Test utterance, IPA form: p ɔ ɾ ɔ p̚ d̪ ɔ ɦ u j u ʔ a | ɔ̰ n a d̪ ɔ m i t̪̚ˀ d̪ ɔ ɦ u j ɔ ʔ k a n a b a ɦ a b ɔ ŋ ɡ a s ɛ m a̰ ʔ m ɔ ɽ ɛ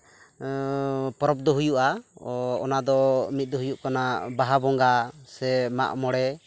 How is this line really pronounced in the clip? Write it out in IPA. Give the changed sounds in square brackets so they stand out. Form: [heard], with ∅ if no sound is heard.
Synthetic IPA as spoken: p ɔ ɾ ɔ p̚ d̪ ɔ ɦ u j u ʔ a | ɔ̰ n a d̪ ɔ m i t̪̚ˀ d̪ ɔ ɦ u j [u] ʔ k a n a b a ɦ a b ɔ ŋ ɡ a s ɛ m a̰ ʔ m ɔ ɽ ɛ